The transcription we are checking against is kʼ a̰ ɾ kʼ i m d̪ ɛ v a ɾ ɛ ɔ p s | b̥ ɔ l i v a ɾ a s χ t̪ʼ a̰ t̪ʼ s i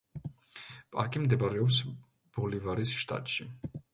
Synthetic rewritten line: pʼ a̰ ɾ kʼ i m d̪ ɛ b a ɾ ɛ ɔ p s | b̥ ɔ l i v a ɾ i s ʃ t̪ʼ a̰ t̪ʼ ʃ i